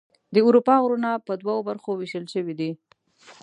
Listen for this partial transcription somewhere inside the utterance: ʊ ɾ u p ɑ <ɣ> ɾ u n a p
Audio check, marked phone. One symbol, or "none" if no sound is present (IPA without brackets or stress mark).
ɣ